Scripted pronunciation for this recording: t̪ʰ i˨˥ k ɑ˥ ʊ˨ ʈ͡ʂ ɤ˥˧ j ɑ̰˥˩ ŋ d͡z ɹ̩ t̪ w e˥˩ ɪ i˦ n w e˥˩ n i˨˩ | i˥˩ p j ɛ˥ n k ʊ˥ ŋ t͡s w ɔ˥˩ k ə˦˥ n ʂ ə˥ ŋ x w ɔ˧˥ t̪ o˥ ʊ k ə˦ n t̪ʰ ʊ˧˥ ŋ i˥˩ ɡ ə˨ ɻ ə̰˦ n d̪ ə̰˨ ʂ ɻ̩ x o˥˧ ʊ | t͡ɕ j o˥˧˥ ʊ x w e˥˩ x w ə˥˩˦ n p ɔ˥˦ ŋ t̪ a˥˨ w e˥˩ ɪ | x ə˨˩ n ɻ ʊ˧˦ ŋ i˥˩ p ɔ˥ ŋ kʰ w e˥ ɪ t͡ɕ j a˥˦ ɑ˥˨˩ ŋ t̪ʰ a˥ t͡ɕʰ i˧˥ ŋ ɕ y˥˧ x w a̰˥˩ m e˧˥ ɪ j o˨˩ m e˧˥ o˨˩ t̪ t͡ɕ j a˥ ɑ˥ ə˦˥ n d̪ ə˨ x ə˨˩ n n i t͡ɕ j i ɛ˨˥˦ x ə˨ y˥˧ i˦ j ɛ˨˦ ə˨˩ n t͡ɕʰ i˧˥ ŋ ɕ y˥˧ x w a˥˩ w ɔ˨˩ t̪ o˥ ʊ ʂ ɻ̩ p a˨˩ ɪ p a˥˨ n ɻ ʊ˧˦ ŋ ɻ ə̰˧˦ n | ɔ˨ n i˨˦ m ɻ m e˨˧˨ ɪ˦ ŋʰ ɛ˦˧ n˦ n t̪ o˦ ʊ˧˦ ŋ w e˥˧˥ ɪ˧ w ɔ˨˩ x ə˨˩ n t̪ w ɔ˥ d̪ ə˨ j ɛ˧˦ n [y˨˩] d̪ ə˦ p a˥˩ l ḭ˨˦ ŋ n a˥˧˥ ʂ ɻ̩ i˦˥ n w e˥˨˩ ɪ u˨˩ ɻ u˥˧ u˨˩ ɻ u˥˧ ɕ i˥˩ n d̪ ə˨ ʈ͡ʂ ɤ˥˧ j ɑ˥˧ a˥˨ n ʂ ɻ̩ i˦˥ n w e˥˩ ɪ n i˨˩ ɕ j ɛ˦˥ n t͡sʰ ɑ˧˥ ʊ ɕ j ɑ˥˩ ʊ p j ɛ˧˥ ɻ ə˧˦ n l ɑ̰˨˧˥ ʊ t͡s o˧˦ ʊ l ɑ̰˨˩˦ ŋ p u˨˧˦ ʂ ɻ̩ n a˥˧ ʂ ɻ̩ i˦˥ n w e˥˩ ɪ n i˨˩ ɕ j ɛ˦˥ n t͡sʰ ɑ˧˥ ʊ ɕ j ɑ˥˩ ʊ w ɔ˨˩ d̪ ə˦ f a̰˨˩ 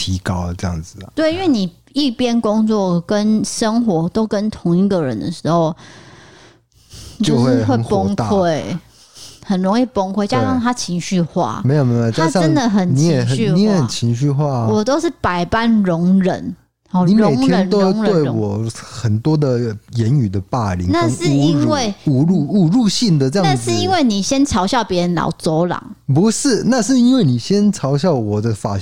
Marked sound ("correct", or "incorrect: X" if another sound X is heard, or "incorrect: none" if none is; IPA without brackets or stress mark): correct